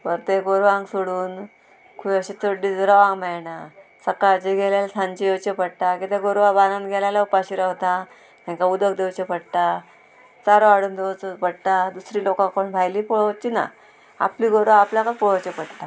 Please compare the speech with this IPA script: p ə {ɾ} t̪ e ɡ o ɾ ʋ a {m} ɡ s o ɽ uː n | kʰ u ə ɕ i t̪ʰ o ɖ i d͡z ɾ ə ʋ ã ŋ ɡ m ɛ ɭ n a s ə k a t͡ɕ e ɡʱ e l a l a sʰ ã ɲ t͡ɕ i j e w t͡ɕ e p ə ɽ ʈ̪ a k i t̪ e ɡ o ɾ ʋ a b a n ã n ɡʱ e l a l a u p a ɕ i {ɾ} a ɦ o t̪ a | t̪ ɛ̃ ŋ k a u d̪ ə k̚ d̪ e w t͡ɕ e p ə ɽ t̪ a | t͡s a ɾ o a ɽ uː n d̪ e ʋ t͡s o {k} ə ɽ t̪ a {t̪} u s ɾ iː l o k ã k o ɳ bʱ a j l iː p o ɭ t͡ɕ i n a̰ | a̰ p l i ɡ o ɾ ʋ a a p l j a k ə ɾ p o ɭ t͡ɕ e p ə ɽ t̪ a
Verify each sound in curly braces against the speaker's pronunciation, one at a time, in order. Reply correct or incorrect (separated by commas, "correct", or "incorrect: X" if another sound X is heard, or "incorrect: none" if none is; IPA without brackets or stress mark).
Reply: correct, incorrect: ŋ, correct, incorrect: p, incorrect: d̪